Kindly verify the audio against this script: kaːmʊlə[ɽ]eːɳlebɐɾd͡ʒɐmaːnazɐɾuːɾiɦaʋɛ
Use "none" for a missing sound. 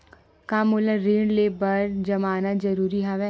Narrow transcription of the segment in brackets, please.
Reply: ɾ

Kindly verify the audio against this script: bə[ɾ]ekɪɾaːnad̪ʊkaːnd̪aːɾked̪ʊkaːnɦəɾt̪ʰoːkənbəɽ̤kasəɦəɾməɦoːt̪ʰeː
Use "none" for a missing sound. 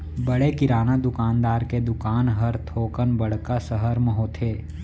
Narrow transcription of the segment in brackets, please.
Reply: ɽ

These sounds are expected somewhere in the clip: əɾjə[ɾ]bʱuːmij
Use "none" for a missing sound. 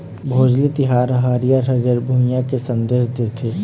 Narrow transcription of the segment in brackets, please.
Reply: ɾ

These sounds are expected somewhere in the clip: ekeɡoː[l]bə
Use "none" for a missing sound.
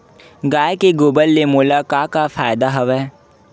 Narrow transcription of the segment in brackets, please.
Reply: none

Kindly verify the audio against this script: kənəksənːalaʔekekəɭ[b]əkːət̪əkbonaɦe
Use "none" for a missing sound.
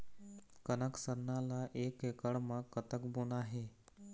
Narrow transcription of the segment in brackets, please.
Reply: m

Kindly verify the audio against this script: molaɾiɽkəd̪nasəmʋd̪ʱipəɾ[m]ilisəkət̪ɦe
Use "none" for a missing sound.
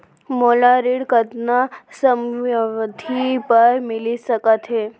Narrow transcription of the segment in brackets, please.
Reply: m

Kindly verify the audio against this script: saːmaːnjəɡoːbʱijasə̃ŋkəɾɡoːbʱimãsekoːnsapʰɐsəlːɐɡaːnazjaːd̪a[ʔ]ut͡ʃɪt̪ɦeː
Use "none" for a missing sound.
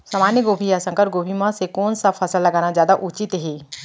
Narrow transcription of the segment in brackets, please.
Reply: ʔ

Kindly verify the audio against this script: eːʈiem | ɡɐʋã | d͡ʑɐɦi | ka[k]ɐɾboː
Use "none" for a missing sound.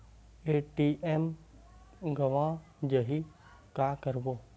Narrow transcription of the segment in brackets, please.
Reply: k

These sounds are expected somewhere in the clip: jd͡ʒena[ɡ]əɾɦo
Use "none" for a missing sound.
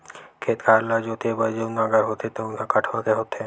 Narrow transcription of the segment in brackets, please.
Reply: ɡ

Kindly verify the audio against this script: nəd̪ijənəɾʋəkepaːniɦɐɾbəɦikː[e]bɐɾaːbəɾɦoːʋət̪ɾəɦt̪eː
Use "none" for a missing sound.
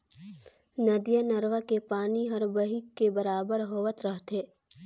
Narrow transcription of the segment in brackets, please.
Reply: e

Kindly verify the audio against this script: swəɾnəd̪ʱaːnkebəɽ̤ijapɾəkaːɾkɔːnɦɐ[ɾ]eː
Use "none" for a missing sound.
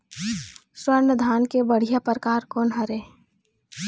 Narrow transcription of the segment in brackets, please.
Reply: ɾ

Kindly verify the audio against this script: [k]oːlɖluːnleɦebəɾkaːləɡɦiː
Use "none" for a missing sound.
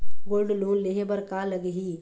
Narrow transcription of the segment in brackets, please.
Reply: ɡ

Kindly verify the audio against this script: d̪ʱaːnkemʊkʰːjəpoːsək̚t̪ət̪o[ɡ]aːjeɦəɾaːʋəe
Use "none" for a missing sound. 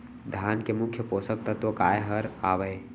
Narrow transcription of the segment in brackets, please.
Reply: k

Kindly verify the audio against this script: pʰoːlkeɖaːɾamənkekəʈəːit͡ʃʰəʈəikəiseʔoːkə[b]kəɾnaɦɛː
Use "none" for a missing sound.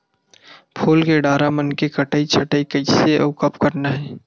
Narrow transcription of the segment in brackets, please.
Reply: p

